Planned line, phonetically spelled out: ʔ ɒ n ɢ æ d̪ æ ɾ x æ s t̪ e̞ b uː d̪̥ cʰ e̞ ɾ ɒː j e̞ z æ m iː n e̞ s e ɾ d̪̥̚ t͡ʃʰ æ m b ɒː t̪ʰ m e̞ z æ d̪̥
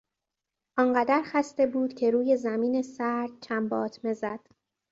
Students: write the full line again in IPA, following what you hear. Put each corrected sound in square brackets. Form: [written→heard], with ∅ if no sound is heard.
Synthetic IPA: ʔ ɒ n ɢ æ d̪ æ ɾ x æ s t̪ e̞ b uː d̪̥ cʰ e̞ ɾ [ɒː→uː] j e̞ z æ m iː n e̞ s [e→æ] ɾ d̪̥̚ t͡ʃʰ æ m b ɒː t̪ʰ m e̞ z æ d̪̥